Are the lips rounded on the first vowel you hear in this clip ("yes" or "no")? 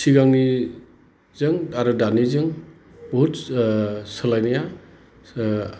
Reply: no